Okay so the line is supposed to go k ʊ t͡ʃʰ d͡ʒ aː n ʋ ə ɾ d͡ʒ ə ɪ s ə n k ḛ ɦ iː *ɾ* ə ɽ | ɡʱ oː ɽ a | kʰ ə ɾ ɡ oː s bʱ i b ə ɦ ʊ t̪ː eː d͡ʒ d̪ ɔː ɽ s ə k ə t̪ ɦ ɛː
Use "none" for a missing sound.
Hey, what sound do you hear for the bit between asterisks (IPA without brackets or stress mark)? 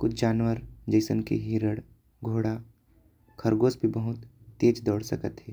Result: ɾ